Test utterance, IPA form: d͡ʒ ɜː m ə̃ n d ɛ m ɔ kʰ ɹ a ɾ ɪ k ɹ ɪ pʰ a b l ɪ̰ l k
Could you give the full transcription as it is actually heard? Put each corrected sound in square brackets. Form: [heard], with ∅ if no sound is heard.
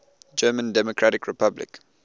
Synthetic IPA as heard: d͡ʒ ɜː m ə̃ n d ɛ m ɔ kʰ ɹ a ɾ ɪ k ɹ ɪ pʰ a b l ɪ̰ [∅] k